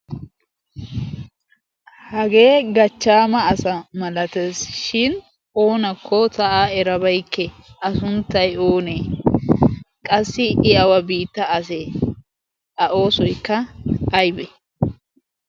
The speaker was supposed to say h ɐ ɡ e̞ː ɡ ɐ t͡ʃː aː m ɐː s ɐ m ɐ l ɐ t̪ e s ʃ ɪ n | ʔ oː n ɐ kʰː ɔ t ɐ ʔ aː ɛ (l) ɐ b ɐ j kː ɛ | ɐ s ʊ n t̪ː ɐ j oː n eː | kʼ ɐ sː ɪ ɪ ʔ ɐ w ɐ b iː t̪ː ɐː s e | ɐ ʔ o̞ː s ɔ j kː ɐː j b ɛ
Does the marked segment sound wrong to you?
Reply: yes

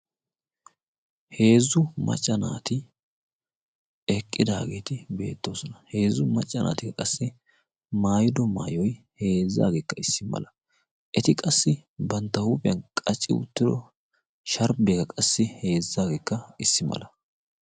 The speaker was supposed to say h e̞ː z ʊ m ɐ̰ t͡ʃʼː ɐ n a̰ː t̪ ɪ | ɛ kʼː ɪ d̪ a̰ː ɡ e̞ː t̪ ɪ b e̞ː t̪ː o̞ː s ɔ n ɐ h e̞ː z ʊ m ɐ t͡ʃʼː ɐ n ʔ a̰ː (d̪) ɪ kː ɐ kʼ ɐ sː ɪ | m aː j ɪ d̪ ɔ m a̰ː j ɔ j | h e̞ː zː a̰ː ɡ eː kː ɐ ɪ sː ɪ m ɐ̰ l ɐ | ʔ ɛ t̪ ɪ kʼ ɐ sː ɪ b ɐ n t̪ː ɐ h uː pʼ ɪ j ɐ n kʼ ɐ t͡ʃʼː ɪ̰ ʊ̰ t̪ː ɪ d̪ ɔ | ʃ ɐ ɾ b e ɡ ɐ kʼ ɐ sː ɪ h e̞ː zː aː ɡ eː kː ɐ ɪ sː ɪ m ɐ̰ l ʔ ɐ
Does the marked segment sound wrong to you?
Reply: yes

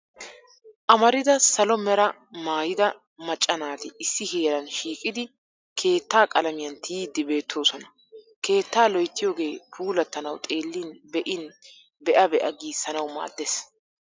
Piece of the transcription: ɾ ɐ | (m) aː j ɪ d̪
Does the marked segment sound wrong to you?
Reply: no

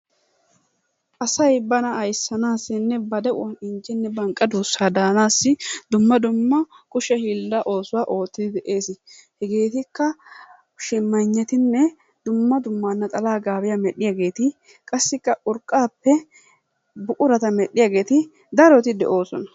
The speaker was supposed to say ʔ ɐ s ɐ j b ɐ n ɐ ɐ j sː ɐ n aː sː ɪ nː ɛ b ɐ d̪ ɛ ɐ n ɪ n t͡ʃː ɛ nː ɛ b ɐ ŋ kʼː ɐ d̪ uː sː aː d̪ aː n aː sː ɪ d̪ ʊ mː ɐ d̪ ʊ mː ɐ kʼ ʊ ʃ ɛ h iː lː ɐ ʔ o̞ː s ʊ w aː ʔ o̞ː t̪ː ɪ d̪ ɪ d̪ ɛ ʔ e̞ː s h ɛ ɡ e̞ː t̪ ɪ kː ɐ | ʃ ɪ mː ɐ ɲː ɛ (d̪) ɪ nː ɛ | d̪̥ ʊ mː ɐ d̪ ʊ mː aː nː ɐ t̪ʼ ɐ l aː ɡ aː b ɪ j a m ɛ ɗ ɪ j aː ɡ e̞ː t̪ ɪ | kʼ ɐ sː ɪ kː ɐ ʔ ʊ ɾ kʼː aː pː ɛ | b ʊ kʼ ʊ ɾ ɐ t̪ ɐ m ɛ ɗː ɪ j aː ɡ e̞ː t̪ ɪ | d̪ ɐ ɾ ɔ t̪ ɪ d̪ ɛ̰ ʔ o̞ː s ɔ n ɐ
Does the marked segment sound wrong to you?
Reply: yes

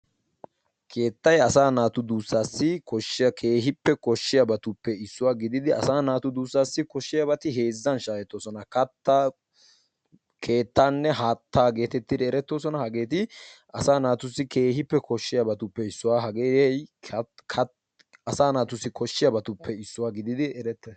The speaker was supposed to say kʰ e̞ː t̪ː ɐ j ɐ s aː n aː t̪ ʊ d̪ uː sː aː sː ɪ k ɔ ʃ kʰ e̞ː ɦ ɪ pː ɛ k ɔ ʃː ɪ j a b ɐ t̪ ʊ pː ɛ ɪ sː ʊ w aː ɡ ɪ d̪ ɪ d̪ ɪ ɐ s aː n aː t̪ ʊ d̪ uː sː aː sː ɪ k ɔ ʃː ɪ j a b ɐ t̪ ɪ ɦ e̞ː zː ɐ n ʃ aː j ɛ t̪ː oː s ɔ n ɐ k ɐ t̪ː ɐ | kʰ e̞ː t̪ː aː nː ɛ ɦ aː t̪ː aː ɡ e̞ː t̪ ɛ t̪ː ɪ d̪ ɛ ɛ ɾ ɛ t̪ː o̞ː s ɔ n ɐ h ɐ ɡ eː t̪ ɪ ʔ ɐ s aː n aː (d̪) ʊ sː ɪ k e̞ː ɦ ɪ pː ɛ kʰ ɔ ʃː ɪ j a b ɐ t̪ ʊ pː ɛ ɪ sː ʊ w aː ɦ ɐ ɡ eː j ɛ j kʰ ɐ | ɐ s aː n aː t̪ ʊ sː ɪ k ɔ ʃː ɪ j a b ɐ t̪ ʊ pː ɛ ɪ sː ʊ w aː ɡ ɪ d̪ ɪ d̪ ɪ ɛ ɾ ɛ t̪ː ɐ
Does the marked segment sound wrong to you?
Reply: yes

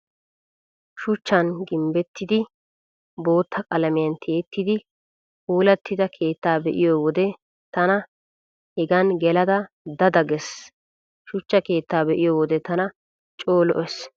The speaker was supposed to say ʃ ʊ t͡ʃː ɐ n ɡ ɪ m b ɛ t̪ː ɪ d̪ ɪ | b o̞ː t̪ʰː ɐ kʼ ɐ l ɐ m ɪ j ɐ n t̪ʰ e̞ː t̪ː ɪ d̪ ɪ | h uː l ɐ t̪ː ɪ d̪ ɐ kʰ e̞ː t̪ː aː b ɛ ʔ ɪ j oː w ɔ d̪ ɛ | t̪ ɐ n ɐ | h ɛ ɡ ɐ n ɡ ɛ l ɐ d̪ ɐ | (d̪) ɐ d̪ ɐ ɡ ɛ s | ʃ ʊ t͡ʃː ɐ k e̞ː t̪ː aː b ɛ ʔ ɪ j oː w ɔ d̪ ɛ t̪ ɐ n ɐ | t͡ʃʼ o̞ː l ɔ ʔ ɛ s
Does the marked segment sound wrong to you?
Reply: no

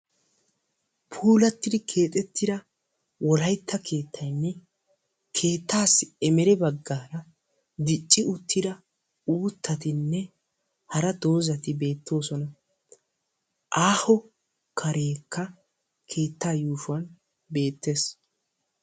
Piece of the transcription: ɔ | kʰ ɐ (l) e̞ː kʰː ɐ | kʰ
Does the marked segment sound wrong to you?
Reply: yes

